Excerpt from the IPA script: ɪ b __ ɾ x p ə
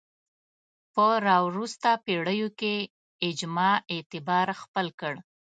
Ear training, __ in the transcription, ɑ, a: ɑ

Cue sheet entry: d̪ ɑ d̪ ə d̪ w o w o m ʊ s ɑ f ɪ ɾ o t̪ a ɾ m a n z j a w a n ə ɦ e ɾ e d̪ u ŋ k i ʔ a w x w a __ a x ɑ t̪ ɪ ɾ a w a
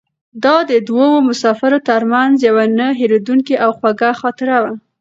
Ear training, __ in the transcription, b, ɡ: ɡ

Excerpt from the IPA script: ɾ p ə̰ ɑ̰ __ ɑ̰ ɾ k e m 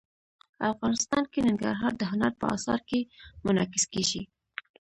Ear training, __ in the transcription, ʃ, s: s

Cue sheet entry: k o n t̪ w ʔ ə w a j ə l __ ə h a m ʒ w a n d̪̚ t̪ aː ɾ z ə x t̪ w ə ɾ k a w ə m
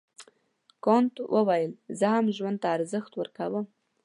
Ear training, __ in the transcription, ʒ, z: z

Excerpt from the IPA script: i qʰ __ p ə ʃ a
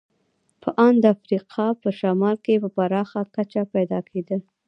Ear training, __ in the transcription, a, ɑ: ɑ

